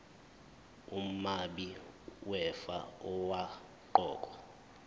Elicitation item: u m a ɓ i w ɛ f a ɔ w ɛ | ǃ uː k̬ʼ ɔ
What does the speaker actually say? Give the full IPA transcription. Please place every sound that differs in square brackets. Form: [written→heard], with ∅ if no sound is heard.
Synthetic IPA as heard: u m a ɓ i w ɛ f a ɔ w [ɛ→a] | ǃ [uː→ɔː] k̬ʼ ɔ